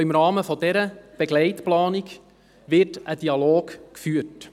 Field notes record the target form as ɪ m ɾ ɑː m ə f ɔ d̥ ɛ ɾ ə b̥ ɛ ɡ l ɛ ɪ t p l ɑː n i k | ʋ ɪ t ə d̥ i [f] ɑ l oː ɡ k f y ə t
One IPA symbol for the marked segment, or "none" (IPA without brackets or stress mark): none